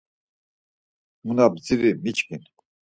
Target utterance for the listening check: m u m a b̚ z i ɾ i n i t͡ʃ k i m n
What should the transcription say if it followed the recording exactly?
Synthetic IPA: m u n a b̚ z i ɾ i m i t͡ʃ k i n

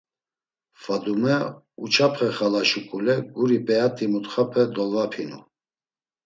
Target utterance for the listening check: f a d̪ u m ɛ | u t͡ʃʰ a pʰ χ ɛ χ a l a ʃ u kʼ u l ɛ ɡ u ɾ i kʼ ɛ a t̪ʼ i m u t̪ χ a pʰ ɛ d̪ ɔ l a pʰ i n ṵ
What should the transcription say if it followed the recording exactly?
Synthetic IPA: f a d̪ u m ɛ | u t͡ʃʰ a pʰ χ ɛ χ a l a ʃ u kʼ u l ɛ ɡ u ɾ i pʼ ɛ a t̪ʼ i m u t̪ χ a pʰ ɛ d̪ ɔ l a pʰ i n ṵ

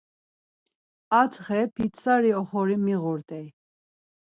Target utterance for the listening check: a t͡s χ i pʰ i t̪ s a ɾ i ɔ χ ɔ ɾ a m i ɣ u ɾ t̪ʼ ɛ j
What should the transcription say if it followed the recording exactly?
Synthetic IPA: a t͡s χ ɛ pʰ i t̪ s a ɾ i ɔ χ ɔ ɾ i m i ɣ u ɾ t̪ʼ ɛ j

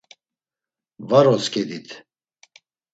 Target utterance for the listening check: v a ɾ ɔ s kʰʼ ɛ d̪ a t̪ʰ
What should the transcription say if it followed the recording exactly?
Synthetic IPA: v a ɾ ɔ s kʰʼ ɛ d̪ i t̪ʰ

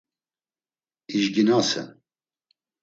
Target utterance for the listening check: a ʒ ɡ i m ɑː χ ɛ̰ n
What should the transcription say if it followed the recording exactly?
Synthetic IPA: i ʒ ɡ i n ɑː s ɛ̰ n

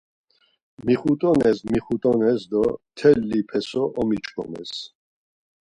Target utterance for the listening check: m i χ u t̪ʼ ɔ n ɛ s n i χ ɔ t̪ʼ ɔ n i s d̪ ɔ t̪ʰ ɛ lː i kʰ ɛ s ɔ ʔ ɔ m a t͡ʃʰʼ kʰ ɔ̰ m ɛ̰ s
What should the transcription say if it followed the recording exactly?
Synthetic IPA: m i χ u t̪ʼ ɔ n ɛ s m i χ u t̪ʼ ɔ n ɛ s d̪ ɔ t̪ʰ ɛ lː i pʰ ɛ s ɔ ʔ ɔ m i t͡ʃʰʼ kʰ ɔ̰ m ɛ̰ s

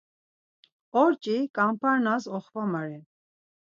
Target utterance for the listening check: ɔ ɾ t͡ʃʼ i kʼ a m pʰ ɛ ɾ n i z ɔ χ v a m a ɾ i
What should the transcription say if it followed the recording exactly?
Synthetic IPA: ɔ ɾ t͡ʃʼ i kʼ a m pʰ a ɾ n a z ɔ χ v a m a ɾ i

